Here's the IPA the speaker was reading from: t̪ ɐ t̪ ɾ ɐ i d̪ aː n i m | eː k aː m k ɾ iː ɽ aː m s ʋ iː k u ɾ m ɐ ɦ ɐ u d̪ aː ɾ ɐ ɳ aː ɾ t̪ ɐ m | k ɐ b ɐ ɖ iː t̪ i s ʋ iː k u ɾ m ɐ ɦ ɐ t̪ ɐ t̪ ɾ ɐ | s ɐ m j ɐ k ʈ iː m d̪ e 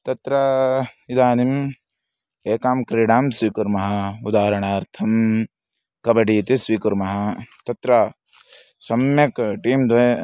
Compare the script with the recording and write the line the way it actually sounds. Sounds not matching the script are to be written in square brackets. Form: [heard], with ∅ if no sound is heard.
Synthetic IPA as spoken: t̪ ɐ t̪ ɾ ɐ i d̪ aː n i m | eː k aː m k ɾ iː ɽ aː m s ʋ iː k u ɾ m ɐ ɦ ɐ u d̪ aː ɾ ɐ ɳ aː ɾ [t̪ʰ] ɐ m | k ɐ b ɐ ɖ iː t̪ i s ʋ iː k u ɾ m ɐ ɦ ɐ t̪ ɐ t̪ ɾ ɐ | s ɐ m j ɐ k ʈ iː m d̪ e